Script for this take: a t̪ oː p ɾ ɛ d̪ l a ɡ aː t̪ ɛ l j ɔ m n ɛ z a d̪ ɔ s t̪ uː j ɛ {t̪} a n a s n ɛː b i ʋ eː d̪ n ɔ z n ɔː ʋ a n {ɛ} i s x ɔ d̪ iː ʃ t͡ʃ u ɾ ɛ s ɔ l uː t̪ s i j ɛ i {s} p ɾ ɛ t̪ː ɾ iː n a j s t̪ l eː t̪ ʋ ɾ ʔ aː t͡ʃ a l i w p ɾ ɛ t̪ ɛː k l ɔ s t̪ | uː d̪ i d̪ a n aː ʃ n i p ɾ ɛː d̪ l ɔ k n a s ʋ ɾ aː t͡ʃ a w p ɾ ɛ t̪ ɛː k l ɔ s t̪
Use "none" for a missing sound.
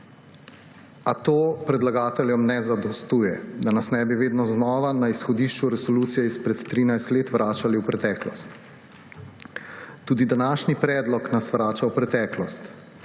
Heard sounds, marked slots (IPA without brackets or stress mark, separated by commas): d̪, a, s